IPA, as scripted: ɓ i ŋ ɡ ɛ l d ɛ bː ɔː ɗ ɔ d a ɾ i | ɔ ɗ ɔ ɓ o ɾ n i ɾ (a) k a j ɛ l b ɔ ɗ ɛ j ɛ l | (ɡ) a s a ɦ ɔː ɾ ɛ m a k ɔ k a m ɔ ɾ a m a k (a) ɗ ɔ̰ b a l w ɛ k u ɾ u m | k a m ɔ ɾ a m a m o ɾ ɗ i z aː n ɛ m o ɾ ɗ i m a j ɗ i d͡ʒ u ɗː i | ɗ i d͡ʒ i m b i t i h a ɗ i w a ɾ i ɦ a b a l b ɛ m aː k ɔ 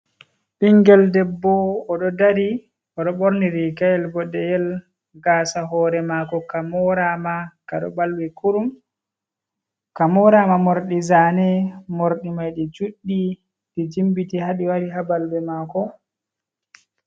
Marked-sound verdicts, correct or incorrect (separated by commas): incorrect, correct, correct